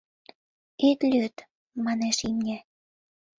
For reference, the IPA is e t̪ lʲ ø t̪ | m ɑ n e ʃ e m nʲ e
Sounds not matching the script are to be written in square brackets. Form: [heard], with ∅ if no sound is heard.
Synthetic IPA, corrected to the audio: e t̪ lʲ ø t̪ | m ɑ n e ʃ [i] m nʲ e